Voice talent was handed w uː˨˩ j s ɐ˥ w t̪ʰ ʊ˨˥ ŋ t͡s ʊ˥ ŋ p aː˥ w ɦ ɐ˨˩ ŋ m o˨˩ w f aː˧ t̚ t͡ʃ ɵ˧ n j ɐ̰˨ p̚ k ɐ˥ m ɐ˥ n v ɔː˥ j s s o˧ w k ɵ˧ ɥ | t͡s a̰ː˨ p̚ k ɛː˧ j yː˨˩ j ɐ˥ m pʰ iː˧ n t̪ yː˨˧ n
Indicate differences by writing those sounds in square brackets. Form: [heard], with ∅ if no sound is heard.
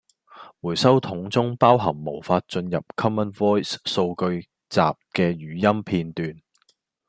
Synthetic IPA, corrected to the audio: w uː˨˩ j s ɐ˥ w t̪ʰ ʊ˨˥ ŋ t͡s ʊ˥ ŋ p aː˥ w ɦ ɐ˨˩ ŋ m o˨˩ w f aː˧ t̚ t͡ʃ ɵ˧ n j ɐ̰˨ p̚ [kʰ] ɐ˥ m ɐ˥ n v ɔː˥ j s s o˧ w k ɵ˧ ɥ | t͡s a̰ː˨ p̚ k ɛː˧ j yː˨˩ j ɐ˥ m pʰ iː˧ n t̪ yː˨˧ n